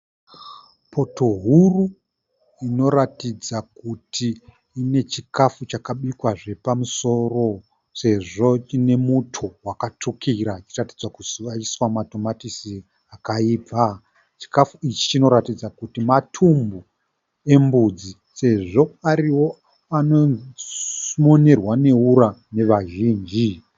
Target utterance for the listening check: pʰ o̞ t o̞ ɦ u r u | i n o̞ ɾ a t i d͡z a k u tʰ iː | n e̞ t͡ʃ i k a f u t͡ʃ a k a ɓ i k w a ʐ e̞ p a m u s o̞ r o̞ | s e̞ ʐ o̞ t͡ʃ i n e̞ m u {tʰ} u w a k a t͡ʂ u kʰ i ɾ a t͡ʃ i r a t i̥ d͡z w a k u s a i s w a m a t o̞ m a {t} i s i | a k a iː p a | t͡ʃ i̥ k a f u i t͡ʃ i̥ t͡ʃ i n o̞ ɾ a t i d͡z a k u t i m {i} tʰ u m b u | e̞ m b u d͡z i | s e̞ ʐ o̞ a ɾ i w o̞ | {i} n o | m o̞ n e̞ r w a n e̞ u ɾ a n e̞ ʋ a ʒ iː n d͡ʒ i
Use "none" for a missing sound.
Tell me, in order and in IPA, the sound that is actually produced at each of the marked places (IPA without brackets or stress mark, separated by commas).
tʰ, t, a, a